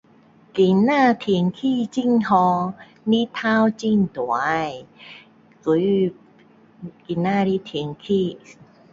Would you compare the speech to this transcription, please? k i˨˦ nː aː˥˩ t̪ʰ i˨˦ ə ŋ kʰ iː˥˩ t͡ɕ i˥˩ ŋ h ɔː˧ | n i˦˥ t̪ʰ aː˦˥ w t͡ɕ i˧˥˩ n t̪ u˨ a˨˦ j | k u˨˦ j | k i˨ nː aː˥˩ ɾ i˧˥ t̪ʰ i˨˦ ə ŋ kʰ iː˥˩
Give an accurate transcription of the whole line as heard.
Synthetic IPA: k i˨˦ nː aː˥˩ t̪ʰ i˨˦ ə ŋ kʰ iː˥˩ t͡ɕ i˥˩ ŋ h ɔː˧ | n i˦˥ t̪ʰ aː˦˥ w t͡ɕ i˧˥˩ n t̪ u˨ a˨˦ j | k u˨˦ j | k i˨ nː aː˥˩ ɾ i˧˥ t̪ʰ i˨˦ ə ŋ kʰ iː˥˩